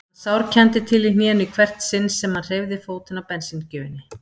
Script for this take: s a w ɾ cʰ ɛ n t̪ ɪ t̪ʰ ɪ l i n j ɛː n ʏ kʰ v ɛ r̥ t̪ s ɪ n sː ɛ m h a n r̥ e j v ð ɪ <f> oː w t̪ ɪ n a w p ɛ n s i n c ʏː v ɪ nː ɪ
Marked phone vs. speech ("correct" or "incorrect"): correct